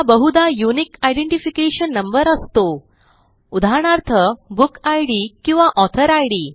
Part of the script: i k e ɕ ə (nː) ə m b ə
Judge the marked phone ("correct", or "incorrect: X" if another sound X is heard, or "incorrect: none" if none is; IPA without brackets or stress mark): correct